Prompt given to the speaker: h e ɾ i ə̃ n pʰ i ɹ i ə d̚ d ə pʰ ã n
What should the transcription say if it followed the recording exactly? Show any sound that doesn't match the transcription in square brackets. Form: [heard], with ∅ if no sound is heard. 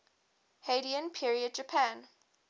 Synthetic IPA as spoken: h e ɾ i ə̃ n pʰ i ɹ i ə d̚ [d͡ʒ] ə pʰ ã n